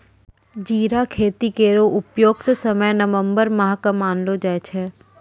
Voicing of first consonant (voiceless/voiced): voiced